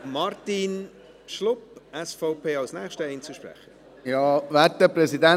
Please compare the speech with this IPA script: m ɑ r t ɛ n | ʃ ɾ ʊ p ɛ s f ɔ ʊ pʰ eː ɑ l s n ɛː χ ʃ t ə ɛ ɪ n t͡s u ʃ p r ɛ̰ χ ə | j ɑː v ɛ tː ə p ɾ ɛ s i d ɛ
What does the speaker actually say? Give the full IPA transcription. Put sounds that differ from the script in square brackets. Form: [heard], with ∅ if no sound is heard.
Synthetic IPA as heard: m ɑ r t [i] n | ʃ [l] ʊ p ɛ s f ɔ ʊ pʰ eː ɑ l s n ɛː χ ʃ t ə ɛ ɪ n t͡s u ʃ p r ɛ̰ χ ə | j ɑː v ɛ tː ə p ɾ ɛ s i d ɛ